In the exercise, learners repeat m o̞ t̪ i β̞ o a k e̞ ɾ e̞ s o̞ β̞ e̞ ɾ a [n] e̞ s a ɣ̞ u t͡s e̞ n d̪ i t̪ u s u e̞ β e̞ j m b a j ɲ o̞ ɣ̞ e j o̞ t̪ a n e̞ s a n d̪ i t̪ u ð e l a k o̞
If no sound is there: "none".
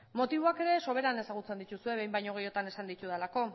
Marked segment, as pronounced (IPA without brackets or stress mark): n